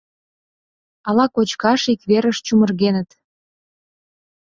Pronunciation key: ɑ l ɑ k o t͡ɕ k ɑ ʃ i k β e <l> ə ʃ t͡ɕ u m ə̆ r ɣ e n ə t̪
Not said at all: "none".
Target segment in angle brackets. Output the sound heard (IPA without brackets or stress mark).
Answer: ɾ